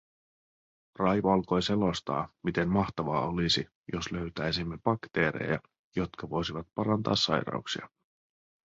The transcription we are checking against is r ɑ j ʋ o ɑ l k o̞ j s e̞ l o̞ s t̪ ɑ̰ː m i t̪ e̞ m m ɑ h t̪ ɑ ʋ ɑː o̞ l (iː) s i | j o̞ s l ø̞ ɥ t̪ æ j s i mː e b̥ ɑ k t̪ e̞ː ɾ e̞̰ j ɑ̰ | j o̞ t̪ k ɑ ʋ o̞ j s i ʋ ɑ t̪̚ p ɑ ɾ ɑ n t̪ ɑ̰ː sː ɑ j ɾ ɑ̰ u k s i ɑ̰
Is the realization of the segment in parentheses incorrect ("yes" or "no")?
yes